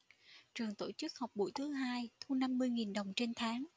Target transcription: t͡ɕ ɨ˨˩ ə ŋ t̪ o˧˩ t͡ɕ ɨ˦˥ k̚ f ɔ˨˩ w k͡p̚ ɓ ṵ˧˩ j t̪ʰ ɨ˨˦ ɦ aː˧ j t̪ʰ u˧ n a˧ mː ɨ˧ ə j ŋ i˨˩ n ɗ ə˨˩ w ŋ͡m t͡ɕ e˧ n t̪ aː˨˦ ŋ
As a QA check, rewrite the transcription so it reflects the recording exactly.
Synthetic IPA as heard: t͡ɕ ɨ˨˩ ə ŋ t̪ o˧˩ t͡ɕ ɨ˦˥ k̚ h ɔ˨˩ w k͡p̚ ɓ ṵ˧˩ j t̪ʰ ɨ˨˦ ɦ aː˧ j t̪ʰ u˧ n a˧ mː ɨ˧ ə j ŋ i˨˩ n ɗ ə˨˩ w ŋ͡m t͡ɕ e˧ n t̪ʰ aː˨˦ ŋ